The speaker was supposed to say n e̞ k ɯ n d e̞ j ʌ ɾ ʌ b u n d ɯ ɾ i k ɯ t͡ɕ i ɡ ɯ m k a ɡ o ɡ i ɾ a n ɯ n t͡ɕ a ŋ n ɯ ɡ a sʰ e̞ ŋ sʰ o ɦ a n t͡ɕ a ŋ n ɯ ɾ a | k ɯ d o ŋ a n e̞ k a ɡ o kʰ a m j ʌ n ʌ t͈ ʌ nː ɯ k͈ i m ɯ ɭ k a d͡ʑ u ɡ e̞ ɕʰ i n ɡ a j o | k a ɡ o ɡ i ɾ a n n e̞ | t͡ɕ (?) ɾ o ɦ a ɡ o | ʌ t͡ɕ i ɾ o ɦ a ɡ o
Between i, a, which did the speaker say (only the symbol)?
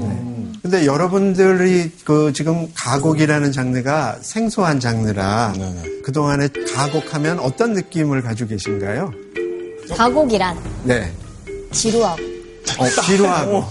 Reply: i